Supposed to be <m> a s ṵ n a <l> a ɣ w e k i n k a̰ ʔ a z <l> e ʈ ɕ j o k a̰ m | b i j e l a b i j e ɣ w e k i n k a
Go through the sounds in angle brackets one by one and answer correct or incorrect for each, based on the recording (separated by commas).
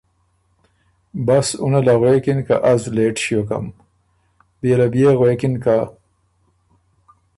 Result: incorrect, correct, correct